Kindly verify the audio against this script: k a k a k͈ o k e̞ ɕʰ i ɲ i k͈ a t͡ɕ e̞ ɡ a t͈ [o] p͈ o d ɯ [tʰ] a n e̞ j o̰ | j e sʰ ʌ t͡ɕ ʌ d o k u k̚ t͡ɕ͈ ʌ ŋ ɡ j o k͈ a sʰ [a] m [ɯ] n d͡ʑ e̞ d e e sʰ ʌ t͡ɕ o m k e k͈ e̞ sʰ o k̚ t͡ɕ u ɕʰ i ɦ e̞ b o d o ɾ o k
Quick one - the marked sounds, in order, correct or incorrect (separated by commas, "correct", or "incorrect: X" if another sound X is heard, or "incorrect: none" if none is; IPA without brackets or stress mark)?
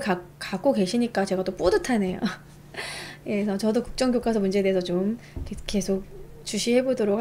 correct, correct, incorrect: ʌ, incorrect: u